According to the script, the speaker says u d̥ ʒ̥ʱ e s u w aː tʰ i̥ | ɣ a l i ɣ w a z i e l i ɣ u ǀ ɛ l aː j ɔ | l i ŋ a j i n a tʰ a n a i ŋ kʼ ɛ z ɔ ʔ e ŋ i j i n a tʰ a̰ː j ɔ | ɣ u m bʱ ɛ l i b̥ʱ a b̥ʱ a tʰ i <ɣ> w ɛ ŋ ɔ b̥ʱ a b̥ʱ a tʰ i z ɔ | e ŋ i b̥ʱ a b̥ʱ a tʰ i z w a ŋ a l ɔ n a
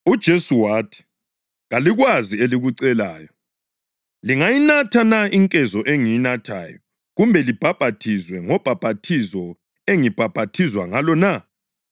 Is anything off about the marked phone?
yes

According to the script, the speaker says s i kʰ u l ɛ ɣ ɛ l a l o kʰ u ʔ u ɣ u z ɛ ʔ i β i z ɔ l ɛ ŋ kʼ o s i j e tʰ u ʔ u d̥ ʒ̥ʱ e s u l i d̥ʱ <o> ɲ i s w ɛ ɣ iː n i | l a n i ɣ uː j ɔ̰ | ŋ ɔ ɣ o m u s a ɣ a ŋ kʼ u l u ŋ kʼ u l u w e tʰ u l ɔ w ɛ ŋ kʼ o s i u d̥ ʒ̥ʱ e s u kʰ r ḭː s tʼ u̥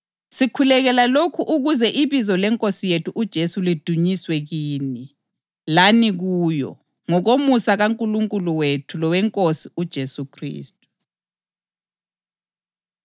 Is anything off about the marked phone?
yes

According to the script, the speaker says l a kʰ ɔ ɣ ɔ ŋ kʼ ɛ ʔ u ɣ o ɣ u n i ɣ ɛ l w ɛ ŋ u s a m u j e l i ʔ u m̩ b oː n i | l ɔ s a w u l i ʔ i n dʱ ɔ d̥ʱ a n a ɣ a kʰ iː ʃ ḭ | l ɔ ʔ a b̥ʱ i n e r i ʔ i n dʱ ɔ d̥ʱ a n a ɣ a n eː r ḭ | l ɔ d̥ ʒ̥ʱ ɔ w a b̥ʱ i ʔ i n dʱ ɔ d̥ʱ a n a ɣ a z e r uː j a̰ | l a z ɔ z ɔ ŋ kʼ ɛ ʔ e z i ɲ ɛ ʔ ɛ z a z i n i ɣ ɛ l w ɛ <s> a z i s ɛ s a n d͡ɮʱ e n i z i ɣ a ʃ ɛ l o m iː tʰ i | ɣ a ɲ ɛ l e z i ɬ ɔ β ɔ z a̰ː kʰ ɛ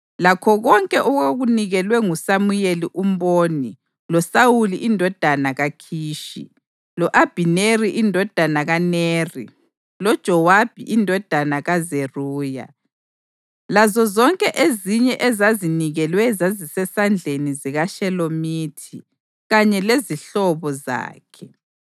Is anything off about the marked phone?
yes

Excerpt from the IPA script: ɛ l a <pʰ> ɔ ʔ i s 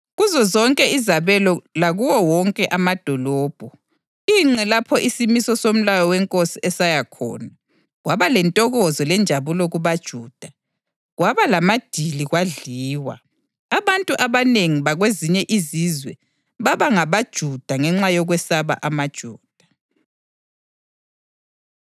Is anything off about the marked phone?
no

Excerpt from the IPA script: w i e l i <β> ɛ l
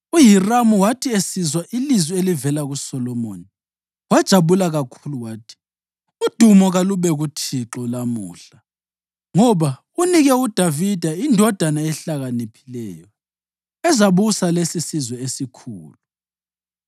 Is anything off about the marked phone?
yes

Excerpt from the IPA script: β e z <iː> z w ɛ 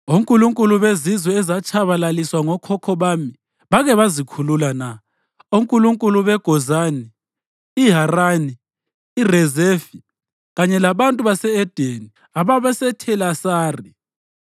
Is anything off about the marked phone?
yes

